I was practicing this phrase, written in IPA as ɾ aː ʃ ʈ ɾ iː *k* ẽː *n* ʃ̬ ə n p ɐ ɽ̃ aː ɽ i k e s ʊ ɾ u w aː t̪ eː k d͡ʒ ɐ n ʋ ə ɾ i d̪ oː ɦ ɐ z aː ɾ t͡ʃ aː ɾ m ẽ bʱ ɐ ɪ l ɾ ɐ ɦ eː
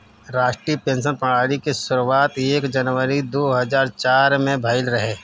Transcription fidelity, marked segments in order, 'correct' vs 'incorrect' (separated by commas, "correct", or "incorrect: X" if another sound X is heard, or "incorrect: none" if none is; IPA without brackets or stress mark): incorrect: p, correct